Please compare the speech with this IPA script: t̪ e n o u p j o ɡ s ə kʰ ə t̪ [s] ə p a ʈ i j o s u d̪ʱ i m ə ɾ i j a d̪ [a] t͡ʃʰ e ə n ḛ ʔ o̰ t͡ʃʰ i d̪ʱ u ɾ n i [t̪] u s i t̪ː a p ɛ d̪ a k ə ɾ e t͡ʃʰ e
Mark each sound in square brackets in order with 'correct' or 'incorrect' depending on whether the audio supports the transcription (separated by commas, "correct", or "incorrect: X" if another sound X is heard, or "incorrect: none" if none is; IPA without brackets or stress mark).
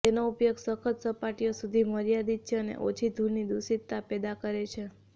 correct, incorrect: i, incorrect: d̪